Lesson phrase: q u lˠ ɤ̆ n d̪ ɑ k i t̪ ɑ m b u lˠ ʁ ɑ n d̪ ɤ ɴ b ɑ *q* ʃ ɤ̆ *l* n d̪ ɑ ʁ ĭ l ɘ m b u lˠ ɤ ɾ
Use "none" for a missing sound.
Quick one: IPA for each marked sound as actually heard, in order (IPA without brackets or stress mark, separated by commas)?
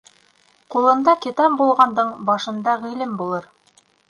none, none